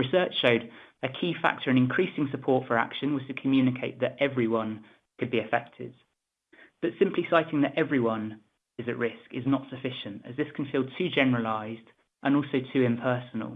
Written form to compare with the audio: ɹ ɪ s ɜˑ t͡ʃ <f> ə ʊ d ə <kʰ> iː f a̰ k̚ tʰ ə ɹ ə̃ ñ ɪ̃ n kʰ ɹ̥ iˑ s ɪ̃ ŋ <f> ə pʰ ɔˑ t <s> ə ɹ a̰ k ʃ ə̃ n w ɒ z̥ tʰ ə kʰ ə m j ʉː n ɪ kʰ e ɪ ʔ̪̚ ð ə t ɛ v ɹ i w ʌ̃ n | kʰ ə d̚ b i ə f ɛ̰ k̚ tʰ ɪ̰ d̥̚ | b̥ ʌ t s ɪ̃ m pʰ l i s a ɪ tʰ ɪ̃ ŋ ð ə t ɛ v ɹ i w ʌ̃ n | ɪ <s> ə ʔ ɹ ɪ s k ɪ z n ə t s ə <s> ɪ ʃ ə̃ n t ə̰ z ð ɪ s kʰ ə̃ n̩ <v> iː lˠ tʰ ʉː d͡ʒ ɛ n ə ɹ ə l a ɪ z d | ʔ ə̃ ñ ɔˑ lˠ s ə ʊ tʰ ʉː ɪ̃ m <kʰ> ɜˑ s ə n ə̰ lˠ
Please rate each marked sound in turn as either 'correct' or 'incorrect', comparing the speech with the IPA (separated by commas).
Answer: incorrect, correct, incorrect, incorrect, incorrect, incorrect, incorrect, incorrect